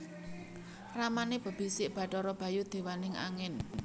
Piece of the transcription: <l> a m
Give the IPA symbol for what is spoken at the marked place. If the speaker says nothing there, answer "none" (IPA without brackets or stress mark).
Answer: r